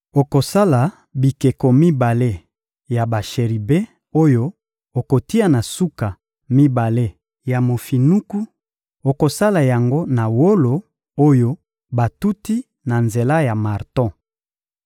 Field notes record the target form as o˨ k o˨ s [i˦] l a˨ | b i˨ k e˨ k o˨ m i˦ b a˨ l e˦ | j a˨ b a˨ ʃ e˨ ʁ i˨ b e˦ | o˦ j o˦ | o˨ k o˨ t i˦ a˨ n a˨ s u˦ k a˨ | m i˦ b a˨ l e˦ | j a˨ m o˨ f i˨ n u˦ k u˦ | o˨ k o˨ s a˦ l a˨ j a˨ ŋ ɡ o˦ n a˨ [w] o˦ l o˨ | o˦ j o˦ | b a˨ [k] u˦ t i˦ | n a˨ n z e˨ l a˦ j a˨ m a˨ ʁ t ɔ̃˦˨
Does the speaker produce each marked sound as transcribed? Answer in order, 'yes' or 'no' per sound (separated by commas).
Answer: no, yes, no